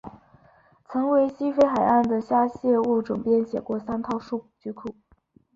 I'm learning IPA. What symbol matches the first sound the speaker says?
t͡sʰ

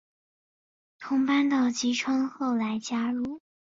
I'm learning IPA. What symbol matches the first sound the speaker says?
t̪ʰ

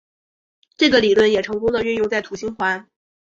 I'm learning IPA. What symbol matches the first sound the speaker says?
ʈ͡ʂ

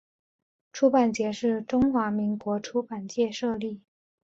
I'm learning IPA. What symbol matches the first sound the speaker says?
ʈ͡ʂʰ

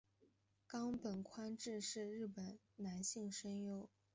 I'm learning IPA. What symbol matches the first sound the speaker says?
k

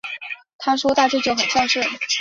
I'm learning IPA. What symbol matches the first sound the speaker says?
t̪ʰ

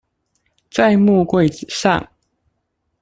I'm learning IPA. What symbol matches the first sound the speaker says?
t͡s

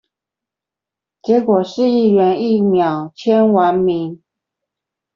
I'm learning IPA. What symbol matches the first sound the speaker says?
t͡ɕ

